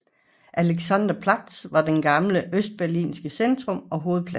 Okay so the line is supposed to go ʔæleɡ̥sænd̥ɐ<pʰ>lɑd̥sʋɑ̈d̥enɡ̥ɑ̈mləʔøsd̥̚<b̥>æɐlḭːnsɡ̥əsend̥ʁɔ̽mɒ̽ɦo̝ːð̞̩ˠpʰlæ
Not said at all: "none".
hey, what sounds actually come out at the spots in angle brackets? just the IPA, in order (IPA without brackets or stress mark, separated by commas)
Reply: pʰ, b̥